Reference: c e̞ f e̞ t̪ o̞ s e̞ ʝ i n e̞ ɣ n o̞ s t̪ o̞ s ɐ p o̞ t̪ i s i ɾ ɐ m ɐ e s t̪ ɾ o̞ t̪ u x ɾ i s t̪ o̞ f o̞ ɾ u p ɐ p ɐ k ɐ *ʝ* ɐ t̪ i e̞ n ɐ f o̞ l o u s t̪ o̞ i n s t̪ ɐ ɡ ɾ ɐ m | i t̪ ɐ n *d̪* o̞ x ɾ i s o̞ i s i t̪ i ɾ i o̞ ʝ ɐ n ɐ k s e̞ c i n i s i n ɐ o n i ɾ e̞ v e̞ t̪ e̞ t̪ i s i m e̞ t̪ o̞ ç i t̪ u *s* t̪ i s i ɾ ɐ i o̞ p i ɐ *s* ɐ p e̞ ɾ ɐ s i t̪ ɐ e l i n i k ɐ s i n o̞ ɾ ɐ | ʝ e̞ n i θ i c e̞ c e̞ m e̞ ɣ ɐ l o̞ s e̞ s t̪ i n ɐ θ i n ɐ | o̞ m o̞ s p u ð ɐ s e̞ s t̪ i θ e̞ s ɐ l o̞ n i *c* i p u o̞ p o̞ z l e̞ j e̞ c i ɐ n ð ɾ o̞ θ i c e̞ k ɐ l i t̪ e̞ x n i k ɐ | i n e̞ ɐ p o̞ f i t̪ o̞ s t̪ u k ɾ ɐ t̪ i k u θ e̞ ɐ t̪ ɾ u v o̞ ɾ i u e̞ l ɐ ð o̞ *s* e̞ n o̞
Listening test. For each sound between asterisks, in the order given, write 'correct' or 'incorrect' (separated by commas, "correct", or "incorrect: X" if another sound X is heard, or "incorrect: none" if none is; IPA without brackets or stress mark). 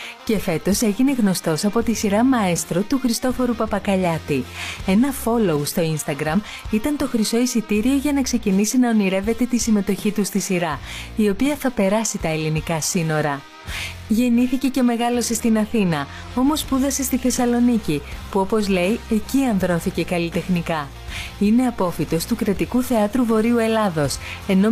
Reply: incorrect: ʎ, incorrect: t̪, correct, incorrect: θ, correct, correct